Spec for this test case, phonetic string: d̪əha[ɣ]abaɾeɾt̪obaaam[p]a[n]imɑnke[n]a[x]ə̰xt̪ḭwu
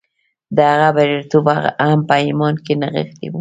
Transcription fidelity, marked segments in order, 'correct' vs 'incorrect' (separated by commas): correct, correct, incorrect, correct, incorrect